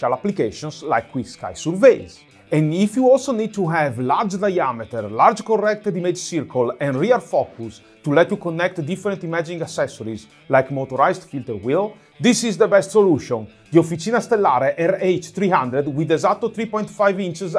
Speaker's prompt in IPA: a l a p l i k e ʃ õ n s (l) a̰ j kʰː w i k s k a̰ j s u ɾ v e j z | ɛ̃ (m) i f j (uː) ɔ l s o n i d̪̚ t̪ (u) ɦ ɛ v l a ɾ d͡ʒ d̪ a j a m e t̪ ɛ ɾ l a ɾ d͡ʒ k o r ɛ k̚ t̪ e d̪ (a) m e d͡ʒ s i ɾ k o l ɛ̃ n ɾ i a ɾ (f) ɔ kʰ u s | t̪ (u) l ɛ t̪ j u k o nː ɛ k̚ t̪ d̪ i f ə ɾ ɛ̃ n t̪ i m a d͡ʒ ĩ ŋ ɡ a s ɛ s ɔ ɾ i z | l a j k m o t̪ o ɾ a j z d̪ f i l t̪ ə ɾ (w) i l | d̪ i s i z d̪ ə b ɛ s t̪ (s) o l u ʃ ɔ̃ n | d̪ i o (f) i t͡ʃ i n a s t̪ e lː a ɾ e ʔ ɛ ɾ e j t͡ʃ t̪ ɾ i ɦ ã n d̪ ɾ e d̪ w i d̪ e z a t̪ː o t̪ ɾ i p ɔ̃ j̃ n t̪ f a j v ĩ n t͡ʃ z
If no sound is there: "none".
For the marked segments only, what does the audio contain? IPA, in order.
l, n, u, u, i, f, u, w, s, f

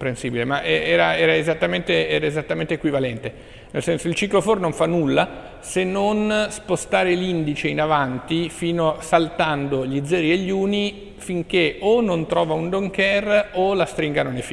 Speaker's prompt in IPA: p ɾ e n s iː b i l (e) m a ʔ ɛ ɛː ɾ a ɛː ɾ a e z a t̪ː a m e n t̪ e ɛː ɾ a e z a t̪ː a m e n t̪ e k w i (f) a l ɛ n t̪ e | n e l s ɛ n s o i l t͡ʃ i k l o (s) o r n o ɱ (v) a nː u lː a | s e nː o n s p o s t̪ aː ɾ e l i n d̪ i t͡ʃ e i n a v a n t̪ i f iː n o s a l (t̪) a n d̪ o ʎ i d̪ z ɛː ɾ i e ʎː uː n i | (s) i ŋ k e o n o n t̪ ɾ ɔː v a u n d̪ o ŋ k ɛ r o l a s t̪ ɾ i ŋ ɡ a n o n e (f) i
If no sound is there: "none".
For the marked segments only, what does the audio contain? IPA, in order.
e, v, f, f, t̪, f, f

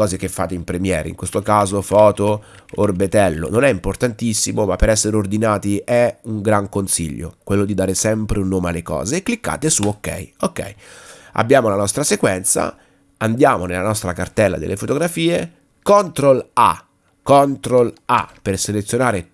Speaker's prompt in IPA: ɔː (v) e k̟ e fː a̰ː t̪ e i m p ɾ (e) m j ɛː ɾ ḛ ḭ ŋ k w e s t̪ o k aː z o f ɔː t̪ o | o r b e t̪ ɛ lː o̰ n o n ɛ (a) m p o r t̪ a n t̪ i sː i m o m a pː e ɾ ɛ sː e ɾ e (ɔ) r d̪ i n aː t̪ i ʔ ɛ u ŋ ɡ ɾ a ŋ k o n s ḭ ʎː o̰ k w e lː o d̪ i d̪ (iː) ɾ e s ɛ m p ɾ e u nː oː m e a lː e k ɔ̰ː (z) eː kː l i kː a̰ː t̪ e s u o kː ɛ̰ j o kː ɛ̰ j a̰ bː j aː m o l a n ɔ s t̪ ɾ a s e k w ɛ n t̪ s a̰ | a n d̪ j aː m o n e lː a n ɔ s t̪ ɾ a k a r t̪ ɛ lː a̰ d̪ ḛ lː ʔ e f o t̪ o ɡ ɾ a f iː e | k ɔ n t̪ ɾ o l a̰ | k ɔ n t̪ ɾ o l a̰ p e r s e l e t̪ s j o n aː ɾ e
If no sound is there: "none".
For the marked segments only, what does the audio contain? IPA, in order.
z, e, i, o, aː, z

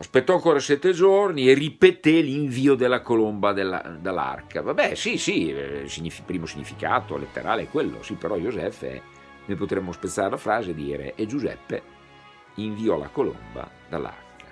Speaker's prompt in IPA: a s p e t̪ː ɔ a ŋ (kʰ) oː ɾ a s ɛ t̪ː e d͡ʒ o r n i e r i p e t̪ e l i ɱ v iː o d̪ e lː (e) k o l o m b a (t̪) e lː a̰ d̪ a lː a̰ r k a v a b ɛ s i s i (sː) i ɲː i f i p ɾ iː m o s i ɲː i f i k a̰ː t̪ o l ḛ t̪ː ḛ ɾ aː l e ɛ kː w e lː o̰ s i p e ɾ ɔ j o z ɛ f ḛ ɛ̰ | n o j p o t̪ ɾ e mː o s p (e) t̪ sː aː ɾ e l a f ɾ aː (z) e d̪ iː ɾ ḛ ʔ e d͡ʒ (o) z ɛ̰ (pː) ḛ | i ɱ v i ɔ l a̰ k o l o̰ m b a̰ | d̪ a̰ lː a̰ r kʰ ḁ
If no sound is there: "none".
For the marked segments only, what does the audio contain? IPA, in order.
k, a, d̪, s, e, z, u, pː

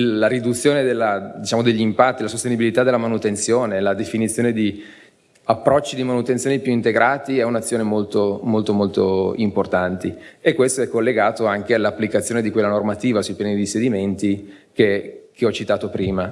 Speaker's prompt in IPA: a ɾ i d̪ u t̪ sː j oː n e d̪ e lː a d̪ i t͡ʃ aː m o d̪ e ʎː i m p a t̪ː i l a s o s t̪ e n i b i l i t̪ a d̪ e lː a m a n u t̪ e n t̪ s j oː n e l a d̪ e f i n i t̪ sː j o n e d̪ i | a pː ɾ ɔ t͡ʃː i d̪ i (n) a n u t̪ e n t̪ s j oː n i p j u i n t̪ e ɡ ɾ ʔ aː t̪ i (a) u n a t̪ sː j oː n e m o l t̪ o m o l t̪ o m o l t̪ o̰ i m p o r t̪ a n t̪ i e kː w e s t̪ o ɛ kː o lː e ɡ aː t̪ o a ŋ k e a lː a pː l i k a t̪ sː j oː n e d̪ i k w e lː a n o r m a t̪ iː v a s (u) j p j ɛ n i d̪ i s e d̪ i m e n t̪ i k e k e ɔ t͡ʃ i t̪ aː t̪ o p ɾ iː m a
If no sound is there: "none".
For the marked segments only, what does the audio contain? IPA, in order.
m, ɛ, u

